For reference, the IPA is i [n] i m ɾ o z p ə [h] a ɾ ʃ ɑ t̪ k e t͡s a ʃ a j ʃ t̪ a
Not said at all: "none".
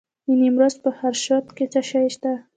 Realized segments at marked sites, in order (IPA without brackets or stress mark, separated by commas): n, h